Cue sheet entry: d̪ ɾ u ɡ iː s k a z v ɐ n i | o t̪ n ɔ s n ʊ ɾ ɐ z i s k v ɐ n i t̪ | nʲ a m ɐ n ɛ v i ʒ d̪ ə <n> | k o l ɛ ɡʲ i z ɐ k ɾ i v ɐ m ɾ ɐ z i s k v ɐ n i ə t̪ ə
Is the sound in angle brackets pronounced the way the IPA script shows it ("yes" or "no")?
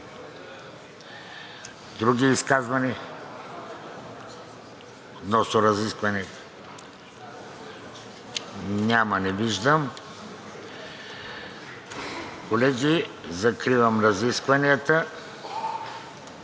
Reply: no